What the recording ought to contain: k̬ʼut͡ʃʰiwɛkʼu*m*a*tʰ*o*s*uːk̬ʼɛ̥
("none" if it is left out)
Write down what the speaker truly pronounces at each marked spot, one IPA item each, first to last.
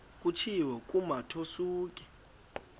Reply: m, tʰ, s

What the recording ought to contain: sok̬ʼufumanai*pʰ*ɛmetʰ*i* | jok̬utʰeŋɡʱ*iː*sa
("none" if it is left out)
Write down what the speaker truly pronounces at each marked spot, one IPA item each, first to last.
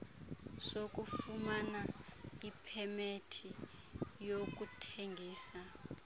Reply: pʰ, i, iː

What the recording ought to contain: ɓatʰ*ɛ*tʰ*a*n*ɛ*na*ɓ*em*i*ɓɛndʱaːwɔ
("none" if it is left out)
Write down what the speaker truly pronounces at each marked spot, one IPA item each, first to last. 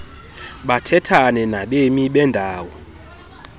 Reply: ɛ, a, ɛ, ɓ, i

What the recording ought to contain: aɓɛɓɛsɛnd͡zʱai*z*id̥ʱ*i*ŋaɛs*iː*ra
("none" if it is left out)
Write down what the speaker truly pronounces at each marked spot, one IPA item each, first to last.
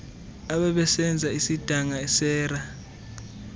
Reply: s, a, ɛː

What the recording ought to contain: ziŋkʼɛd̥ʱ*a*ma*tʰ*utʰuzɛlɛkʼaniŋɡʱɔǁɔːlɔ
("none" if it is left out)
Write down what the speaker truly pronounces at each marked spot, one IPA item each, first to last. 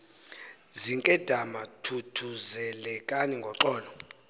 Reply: a, tʰ

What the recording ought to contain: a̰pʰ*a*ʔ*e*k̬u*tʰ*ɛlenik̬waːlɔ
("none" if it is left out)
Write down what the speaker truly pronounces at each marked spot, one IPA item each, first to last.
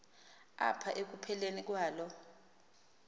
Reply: a, e, pʰ

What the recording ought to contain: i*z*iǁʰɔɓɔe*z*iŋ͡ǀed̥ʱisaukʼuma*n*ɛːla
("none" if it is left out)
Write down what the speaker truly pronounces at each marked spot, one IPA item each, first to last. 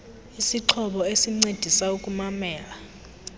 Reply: s, s, m

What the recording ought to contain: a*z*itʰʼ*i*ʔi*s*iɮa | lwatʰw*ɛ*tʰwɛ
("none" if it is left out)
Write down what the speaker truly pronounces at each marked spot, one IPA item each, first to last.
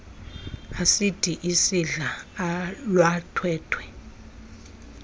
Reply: s, i, s, ɛː

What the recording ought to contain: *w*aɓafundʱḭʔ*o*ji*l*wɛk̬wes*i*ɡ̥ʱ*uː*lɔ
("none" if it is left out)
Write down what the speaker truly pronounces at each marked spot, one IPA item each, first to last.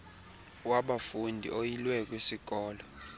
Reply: w, o, l, i, ɔː

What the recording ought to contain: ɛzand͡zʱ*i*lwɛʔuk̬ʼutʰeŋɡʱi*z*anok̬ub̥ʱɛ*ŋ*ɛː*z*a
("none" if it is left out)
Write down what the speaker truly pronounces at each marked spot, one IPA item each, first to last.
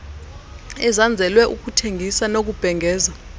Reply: ɛ, s, ŋ, z

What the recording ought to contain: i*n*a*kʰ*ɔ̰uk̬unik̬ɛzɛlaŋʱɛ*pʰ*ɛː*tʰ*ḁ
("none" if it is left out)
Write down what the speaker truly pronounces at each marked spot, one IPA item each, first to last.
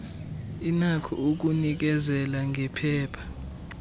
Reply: n, kʰ, pʰ, pʰ

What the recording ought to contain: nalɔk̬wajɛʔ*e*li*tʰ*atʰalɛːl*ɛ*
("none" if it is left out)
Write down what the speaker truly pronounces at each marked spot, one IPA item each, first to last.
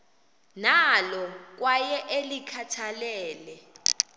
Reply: e, kʰ, ɛ

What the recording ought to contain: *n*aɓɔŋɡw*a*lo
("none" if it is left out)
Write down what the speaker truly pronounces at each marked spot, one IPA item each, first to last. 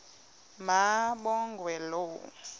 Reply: m, ɛ

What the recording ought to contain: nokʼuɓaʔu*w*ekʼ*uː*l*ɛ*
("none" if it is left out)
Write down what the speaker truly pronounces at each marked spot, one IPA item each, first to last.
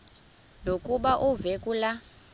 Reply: v, u, a

